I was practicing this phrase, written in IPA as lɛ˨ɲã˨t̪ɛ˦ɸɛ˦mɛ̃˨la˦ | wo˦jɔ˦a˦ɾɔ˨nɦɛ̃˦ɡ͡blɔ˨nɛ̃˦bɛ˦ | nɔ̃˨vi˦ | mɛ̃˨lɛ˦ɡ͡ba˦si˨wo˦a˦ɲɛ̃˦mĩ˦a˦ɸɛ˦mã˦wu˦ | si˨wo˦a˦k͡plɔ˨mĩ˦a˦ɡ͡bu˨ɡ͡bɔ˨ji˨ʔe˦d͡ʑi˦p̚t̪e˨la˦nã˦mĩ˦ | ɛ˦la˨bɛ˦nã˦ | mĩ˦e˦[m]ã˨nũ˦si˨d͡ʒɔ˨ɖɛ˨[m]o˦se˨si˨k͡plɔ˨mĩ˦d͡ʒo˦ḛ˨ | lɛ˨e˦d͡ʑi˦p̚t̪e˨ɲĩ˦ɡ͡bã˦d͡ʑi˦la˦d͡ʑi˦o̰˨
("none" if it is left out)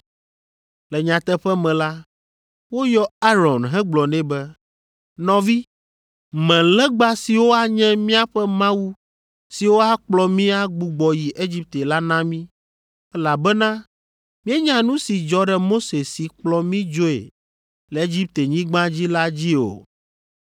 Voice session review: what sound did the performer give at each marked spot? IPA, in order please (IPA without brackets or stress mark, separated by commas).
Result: ɲ, m